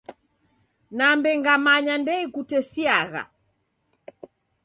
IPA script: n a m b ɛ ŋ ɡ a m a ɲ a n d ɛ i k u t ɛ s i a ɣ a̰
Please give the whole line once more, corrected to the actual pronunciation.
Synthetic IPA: n a m b ɛ ŋ ɡ a m a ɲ a n d ɛ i k u t ɛ s i a ɣ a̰